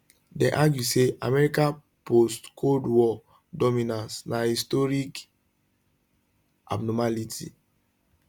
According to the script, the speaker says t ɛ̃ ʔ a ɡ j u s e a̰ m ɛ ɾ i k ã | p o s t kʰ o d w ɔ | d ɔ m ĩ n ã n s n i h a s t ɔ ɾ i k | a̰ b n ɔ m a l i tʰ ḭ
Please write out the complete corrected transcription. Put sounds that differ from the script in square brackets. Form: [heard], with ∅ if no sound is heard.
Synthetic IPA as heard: [d] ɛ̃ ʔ a ɡ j u s e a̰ m ɛ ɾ i k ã | p o s t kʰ o d w ɔ | d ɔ m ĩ n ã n s n [a] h [i] s t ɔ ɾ i k | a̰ b n ɔ m a l i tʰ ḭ